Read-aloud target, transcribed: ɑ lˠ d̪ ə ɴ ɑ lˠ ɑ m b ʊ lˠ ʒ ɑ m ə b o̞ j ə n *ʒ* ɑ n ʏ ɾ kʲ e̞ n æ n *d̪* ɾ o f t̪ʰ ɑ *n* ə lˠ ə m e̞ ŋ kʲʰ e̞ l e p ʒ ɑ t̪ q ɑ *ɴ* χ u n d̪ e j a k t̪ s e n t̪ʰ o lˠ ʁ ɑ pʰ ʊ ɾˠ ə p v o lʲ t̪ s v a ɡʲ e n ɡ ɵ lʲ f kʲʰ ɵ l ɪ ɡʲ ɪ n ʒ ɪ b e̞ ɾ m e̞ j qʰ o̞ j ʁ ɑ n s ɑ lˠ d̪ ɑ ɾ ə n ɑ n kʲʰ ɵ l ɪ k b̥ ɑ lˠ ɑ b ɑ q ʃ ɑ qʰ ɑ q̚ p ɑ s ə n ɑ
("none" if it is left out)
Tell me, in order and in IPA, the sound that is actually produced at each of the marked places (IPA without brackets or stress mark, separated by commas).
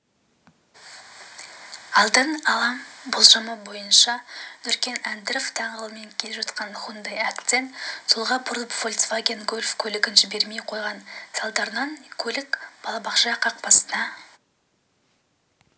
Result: ʃ, d̪, ɴ, n